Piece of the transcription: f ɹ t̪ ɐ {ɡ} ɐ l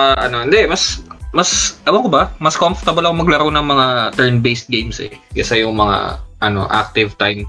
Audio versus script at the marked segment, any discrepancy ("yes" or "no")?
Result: yes